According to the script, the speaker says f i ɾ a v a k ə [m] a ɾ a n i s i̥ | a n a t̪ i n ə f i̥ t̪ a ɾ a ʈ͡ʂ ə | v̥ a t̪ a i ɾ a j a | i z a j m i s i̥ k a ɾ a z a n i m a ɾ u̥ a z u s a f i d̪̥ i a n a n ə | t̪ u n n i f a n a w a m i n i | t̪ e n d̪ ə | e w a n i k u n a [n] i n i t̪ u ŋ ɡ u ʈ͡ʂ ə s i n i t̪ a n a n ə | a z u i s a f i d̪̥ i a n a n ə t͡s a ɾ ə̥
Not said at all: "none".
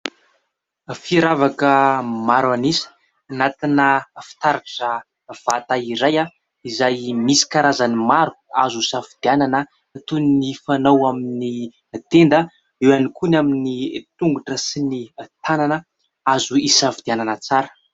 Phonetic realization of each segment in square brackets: m, m

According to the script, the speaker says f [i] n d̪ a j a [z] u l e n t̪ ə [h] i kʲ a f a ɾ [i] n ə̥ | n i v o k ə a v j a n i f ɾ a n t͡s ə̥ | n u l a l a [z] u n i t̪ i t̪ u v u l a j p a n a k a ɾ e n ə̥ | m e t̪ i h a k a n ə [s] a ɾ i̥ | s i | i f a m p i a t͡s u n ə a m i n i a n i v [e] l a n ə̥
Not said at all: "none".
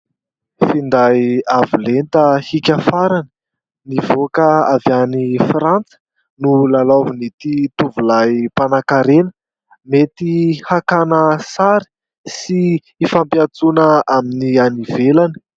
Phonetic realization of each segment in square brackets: i, v, h, a, v, s, e

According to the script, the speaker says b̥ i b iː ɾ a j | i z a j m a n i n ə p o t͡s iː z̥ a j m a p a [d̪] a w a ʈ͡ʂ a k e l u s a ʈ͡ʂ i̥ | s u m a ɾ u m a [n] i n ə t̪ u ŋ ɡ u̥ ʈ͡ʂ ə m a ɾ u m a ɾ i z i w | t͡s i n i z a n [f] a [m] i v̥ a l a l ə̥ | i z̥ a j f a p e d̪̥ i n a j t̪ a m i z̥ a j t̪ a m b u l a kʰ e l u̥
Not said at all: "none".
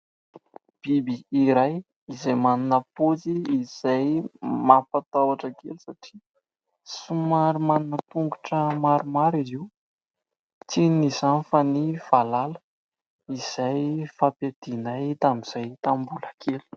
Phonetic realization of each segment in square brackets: t̪, n, f, n

